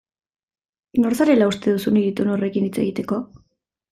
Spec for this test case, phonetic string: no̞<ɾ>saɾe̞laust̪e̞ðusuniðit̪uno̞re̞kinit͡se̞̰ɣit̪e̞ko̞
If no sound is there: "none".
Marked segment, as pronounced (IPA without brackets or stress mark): ɾ